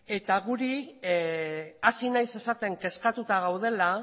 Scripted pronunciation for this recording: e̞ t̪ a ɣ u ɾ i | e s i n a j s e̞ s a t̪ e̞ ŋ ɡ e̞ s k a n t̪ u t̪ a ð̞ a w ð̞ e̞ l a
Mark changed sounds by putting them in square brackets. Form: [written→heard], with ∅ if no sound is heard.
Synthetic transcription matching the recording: e̞ t̪ a ɣ u ɾ i | [e→a] s i n a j s e̞ s a t̪ e̞ ŋ [ɡ→k] e̞ s k a [n→∅] t̪ u t̪ a [ð̞→ɣ̞] a w ð̞ e̞ l a